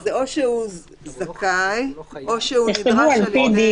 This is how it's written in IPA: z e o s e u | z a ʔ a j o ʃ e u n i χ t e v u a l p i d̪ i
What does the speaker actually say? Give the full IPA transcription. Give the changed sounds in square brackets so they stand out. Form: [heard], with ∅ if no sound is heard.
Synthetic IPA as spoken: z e o [ʃ] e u | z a [k] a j o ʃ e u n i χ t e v u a l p i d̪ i